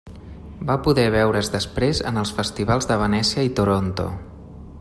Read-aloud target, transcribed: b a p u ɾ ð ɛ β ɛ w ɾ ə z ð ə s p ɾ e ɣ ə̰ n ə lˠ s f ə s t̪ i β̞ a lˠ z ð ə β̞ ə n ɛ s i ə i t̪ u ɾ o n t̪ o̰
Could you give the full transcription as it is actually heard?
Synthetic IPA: b a p u ð ɛ β ɛ w ɾ ə z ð ə s p ɾ e z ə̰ n ə lˠ s f ə s t̪ i β̞ a lˠ z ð ə β̞ ə n ɛ s i ə i t̪ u ɾ o n t̪ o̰